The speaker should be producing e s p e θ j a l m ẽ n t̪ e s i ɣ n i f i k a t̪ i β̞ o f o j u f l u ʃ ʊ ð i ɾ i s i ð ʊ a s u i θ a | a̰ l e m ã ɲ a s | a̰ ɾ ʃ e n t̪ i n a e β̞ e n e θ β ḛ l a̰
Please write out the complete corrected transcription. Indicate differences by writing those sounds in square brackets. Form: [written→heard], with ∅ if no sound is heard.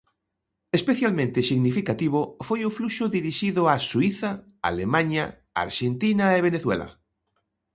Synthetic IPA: e s p e θ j a l m ẽ n t̪ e s i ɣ n i f i k a t̪ i β̞ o f o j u f l u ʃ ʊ ð i ɾ i [s→ʃ] i ð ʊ a s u i θ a | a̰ l e m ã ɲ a [s→∅] | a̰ ɾ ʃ e n t̪ i n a e β̞ e n e θ [β→w] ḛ l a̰